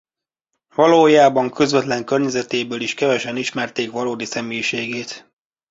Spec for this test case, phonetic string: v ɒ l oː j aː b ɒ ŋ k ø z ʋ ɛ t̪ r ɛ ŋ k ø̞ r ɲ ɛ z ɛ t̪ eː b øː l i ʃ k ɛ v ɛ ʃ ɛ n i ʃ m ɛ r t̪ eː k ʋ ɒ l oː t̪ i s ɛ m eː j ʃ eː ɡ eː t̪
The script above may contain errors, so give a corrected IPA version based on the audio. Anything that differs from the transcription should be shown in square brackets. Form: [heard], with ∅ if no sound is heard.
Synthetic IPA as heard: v ɒ l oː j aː b ɒ ŋ k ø z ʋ ɛ t̪ [l] ɛ ŋ k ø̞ r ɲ ɛ z ɛ t̪ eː b øː l i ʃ k ɛ v ɛ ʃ ɛ n i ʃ m ɛ r t̪ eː k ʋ ɒ l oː [d̪] i s ɛ m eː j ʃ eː ɡ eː t̪